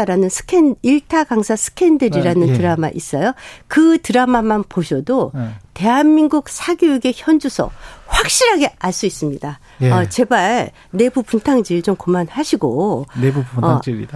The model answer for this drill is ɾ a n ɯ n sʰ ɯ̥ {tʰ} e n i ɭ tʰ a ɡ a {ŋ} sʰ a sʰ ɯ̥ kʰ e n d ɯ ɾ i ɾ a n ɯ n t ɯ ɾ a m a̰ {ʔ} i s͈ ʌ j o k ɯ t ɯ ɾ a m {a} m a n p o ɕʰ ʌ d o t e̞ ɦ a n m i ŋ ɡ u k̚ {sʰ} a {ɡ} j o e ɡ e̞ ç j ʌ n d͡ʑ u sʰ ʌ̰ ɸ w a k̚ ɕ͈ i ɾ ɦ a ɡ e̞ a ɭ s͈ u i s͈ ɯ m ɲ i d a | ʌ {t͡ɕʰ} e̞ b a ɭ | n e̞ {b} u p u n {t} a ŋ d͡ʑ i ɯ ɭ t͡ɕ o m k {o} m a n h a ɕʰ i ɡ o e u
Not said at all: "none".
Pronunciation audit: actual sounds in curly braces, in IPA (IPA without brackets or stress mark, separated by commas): kʰ, ŋ, ʔ, a, sʰ, ɡ, t͡ɕ, b, tʰ, o